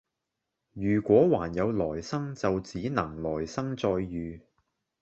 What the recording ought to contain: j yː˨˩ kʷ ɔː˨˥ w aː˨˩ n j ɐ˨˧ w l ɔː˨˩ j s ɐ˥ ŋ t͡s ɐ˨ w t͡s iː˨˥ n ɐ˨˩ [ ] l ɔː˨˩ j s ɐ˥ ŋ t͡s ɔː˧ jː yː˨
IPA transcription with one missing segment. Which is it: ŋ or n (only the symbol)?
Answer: ŋ